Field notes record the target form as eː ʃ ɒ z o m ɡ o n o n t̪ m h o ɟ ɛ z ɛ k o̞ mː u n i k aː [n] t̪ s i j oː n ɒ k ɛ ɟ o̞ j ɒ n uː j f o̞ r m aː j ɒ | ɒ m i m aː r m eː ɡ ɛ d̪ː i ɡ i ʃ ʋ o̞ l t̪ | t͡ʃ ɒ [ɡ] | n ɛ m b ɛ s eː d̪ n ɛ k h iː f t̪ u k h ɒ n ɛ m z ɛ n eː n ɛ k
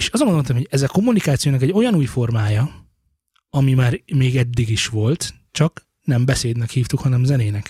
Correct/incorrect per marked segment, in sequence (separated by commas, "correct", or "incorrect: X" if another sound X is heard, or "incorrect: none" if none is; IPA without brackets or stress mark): incorrect: none, incorrect: k